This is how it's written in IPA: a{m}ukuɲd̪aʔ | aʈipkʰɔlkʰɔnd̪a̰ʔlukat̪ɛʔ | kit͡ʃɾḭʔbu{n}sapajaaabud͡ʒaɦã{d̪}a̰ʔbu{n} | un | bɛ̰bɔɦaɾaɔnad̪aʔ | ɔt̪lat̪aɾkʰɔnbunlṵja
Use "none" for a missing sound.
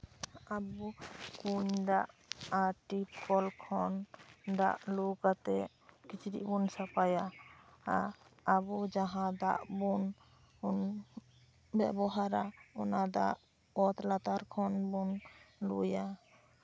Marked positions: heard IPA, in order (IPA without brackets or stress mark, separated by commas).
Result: b, n, d̪, n